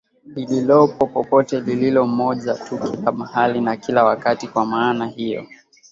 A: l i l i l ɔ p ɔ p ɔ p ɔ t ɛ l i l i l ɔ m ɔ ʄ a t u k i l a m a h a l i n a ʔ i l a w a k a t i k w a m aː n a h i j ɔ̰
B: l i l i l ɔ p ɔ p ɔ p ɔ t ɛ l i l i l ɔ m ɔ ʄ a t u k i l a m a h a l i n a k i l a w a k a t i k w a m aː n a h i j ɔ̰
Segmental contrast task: B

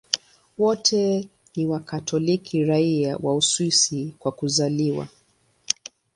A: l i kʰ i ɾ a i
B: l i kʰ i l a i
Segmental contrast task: A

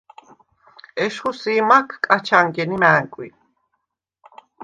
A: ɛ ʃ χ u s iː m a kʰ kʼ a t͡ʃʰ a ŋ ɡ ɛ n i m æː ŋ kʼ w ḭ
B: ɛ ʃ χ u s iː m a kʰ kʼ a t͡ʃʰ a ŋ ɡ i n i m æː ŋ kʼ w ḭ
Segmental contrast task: A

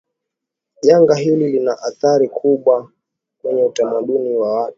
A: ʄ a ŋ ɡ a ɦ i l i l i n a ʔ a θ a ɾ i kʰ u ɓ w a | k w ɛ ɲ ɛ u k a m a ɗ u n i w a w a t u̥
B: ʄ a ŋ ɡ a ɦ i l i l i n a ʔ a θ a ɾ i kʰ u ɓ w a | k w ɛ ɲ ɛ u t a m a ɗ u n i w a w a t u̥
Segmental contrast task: B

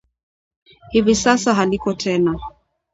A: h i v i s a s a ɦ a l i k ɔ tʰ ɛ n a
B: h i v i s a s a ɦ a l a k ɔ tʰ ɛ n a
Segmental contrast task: A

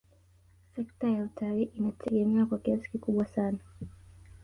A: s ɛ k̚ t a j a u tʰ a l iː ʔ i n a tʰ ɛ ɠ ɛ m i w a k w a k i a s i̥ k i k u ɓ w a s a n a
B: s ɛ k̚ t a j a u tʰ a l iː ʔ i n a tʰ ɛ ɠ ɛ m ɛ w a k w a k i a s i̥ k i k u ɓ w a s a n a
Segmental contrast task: B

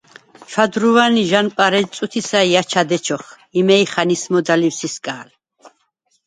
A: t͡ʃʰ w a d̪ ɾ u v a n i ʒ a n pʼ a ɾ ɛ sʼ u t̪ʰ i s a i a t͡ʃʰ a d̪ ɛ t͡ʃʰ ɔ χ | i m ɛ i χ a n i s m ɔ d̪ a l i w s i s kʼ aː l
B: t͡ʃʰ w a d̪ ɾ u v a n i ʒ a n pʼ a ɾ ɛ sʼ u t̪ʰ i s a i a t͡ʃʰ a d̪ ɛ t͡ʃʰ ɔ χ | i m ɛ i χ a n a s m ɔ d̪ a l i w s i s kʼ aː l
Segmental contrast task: A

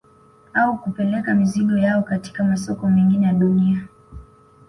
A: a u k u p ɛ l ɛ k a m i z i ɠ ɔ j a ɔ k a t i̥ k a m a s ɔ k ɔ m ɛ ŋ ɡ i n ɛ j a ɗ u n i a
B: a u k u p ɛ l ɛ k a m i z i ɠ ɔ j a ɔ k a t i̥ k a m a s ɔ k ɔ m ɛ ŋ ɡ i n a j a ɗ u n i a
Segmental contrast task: A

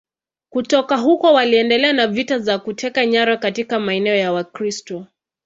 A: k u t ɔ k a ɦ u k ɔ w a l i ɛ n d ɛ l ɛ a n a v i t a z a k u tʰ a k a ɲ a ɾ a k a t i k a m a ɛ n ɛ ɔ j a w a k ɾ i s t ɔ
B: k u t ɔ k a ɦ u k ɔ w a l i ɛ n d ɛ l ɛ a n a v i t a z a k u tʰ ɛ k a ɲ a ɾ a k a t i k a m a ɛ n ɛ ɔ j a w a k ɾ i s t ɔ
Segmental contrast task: B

